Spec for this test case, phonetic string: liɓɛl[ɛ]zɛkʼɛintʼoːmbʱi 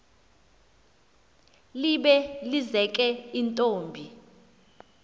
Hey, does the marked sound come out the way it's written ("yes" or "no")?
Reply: no